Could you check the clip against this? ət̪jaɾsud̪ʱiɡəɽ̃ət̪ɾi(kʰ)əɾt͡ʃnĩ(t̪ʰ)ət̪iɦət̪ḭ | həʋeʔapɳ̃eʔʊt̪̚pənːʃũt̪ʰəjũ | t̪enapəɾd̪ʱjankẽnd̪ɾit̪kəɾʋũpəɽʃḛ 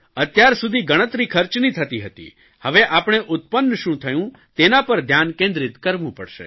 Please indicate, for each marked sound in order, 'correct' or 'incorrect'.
correct, correct

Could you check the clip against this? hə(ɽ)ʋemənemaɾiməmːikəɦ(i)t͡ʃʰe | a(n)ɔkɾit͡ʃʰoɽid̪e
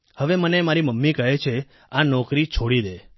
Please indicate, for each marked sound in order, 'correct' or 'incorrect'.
incorrect, incorrect, correct

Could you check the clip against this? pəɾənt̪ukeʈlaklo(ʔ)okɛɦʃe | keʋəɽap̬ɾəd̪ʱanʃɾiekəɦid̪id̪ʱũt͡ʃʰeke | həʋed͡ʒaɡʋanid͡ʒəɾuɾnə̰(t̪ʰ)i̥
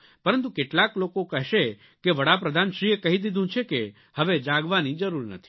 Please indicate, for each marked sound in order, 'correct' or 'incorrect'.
incorrect, correct

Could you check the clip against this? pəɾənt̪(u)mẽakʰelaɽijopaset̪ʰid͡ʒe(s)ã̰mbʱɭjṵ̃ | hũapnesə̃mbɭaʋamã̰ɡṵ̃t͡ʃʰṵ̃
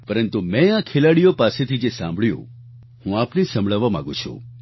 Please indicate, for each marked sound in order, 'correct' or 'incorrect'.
correct, correct

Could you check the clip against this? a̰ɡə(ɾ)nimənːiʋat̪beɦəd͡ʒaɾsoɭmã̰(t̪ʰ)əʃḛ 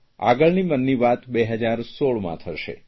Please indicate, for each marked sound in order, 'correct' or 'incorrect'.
incorrect, correct

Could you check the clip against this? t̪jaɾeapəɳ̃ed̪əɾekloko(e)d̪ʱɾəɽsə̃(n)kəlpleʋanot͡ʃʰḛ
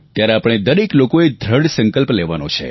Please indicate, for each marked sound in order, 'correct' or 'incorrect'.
correct, incorrect

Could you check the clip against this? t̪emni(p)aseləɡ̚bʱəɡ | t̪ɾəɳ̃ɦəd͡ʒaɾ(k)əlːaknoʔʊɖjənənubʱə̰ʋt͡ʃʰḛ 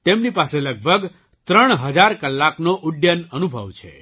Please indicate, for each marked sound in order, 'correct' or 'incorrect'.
correct, correct

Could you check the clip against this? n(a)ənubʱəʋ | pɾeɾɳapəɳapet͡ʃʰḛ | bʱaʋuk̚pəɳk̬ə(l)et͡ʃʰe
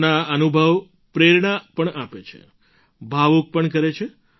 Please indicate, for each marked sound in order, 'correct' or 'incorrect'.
correct, incorrect

